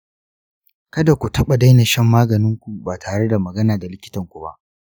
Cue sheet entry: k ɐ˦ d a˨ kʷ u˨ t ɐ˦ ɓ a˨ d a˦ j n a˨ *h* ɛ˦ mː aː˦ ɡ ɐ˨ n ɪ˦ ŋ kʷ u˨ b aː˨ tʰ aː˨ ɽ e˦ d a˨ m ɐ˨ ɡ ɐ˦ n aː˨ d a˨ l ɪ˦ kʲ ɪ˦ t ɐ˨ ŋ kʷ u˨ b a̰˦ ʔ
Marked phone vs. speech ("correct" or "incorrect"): incorrect